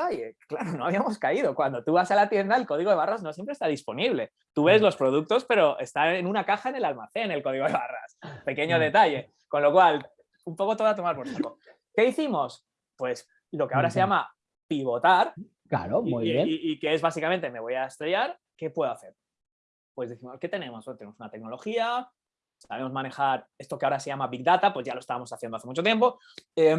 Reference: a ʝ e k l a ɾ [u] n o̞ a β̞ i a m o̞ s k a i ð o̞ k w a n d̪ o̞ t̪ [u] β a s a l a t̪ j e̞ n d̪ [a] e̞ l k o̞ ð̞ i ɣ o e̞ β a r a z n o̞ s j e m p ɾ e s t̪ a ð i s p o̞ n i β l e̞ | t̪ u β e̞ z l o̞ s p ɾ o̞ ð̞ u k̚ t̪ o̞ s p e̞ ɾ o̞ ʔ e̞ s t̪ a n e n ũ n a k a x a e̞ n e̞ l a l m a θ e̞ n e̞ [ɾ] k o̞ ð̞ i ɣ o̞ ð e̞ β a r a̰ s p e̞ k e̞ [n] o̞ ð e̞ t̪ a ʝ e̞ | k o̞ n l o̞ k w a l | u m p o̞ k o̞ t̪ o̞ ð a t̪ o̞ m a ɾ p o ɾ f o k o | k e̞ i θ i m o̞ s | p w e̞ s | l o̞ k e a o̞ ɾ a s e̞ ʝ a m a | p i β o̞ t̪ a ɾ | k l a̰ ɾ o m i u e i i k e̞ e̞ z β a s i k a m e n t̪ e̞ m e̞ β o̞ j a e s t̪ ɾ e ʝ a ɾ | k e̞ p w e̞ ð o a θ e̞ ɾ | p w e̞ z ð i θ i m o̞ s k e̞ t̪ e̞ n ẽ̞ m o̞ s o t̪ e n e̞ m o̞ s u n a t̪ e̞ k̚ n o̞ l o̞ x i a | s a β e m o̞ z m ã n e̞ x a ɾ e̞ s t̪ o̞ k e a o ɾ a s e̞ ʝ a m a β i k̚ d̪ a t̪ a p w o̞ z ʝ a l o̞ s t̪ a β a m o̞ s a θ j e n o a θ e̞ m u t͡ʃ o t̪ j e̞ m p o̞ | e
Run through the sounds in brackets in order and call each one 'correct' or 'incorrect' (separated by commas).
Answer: incorrect, correct, correct, incorrect, incorrect